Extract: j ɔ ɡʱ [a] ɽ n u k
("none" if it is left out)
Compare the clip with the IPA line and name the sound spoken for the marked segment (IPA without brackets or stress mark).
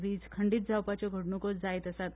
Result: ə